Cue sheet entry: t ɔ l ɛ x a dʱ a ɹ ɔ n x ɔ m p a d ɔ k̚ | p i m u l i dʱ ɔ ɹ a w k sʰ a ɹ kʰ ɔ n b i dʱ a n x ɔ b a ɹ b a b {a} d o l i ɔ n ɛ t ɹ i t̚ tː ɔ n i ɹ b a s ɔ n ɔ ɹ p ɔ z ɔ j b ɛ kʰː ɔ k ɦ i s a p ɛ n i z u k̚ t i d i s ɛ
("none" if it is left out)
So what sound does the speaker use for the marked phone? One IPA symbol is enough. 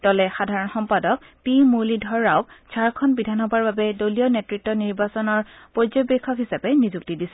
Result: ɛ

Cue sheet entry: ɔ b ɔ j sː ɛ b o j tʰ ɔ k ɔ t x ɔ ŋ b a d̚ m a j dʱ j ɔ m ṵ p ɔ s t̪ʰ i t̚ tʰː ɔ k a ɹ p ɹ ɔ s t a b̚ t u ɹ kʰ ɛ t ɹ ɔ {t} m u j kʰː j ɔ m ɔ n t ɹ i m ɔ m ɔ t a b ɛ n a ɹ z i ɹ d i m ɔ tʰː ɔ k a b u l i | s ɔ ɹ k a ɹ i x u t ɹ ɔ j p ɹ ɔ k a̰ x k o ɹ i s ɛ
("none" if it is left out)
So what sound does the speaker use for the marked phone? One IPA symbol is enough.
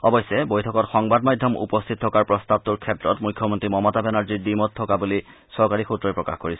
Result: t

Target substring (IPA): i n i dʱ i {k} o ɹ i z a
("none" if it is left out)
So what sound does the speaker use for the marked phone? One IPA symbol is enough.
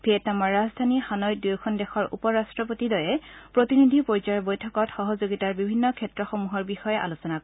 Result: p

